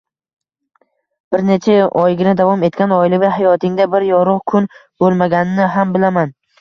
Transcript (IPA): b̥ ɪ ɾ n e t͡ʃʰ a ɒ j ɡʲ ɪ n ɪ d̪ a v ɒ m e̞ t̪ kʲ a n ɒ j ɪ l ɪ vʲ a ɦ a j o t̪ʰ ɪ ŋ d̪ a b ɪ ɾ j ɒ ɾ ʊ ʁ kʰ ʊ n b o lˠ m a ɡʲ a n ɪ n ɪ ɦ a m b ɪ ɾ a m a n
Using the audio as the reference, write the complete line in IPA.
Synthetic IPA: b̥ ɪ ɾ n e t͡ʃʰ a ɒ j ɡʲ ɪ n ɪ d̪ a v ɒ m e̞ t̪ kʲ a n ɒ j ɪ l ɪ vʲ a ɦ a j ɒ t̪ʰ ɪ ŋ d̪ a b ɪ ɾ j ɒ ɾ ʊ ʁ kʰ ʊ n b o lˠ m a ɡʲ a n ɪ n ɪ ɦ a m b ɪ l a m a n